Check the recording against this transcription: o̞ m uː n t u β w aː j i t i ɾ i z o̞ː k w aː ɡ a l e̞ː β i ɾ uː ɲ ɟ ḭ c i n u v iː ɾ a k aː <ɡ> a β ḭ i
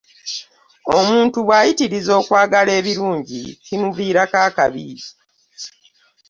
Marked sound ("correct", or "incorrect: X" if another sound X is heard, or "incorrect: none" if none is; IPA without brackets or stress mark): incorrect: k